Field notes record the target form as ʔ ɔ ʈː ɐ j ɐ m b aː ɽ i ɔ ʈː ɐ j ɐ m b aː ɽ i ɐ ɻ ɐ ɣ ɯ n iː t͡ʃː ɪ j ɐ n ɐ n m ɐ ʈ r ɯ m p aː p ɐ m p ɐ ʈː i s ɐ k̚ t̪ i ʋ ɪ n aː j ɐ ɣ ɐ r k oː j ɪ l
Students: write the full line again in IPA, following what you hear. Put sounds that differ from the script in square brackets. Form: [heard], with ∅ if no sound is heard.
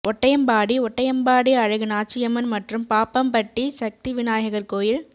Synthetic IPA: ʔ ɔ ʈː ɐ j ɐ m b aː ɽ i ɔ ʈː ɐ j ɐ m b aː ɽ i ɐ ɻ ɐ ɣ ɯ n [aː] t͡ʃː ɪ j ɐ [m] ɐ n m ɐ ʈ r ɯ m p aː p ɐ m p ɐ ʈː i s ɐ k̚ t̪ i ʋ ɪ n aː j ɐ ɣ ɐ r k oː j ɪ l